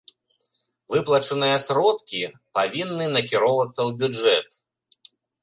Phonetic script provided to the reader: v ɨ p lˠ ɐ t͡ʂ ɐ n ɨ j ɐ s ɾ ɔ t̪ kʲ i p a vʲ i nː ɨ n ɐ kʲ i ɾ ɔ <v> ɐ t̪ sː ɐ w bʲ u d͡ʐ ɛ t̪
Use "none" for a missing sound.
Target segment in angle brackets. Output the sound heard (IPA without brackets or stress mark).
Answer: v